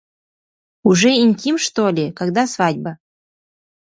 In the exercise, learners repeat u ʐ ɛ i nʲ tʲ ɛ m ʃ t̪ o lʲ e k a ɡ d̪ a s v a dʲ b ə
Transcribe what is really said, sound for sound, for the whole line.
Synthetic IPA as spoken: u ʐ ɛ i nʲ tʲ i m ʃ t̪ o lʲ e k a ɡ d̪ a s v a dʲ b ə